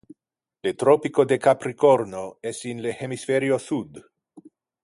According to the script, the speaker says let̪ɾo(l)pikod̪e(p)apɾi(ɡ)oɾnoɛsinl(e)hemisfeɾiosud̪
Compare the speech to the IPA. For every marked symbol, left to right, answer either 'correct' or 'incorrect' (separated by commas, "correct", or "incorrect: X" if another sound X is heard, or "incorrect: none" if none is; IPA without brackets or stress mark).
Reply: incorrect: none, incorrect: k, incorrect: k, correct